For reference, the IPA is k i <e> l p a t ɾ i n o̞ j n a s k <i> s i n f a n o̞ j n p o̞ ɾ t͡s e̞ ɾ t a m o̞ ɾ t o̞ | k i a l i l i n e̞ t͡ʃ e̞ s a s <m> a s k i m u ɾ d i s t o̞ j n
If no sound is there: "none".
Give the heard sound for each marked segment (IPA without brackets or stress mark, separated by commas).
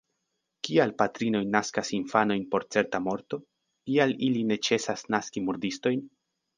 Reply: a, a, n